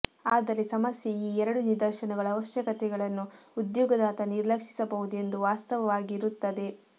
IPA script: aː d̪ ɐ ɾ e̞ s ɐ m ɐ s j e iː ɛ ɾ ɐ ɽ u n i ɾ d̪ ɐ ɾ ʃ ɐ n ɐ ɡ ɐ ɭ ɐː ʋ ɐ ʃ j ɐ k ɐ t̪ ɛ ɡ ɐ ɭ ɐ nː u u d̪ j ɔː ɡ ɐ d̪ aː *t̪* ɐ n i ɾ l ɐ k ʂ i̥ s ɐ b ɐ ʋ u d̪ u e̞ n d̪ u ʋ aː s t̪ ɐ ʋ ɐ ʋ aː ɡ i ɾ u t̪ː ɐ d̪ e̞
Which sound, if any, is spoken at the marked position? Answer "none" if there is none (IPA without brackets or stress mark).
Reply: t̪